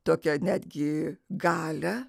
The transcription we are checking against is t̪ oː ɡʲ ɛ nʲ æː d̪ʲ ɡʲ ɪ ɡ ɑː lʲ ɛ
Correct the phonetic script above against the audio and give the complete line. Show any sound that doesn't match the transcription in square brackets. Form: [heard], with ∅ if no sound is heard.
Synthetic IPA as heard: t̪ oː [kʲ] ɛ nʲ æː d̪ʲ ɡʲ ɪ ɡ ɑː lʲ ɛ